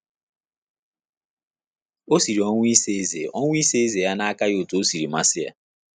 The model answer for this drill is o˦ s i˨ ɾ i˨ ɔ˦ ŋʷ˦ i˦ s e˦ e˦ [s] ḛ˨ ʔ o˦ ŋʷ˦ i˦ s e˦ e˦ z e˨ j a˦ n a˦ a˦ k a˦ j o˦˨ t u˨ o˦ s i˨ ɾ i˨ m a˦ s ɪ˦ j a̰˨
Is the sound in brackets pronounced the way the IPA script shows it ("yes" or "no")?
no